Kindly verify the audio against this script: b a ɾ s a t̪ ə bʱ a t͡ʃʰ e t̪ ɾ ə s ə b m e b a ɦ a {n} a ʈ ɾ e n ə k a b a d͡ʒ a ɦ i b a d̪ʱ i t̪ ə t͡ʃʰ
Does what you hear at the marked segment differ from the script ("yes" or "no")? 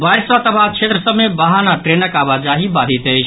no